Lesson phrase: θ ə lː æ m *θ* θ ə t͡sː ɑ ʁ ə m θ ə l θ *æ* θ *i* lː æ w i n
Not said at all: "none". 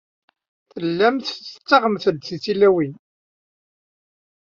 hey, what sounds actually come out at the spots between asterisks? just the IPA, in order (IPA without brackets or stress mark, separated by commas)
θ, i, i